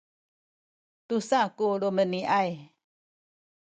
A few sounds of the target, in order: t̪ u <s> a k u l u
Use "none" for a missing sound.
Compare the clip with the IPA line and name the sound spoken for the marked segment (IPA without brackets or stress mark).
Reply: s